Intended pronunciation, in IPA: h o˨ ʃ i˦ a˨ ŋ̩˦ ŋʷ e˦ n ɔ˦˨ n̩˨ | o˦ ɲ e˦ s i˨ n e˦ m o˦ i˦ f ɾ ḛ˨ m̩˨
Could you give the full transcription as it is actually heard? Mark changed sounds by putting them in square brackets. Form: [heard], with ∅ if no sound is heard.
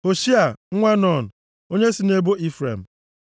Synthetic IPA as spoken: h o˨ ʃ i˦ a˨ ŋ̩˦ ŋʷ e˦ n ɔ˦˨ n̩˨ | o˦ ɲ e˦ s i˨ n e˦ [b] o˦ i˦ f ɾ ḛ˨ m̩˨